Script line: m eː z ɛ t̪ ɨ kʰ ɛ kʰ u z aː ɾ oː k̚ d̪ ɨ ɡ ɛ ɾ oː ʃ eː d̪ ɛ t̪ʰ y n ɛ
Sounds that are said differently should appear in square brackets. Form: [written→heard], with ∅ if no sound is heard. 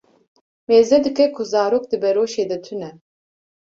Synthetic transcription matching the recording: m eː z ɛ [t̪→d̪] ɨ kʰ ɛ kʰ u z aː ɾ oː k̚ d̪ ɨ [ɡ→b] ɛ ɾ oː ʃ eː d̪ ɛ t̪ʰ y n ɛ